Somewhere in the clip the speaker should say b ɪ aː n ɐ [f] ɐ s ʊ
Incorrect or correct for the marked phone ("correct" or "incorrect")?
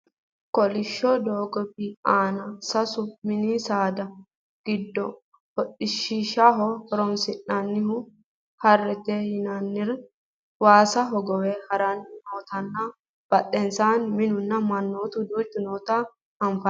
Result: incorrect